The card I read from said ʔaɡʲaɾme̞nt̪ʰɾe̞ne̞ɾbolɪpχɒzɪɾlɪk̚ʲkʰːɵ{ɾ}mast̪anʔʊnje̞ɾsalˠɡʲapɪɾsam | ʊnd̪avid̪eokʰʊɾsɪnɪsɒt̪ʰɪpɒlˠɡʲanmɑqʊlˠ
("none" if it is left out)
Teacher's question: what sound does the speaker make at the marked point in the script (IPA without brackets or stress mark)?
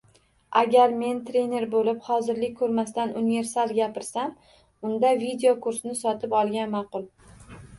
ɾ